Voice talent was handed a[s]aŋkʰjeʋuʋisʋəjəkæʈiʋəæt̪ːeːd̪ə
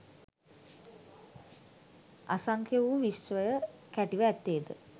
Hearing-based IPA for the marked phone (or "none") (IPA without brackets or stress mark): s